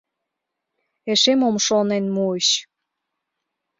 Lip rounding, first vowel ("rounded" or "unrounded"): unrounded